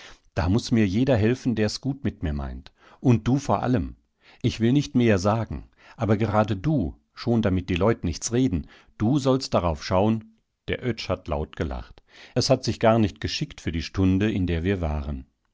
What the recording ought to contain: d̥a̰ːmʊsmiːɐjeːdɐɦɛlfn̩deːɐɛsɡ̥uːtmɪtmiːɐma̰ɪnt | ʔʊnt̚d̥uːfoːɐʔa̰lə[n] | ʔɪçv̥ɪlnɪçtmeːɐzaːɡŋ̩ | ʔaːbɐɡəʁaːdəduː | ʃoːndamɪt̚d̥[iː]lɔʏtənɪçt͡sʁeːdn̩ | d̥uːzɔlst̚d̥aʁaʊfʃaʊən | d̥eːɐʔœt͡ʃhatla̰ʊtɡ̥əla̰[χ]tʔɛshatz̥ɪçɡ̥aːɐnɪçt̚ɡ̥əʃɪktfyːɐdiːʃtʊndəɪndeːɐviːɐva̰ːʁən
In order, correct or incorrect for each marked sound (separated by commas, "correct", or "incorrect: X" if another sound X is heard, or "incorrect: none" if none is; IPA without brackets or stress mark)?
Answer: incorrect: m, correct, correct